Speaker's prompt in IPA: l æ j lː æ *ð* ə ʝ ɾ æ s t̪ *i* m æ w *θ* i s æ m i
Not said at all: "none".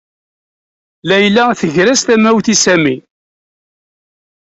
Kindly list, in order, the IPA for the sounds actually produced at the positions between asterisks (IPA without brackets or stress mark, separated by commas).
θ, æ, θ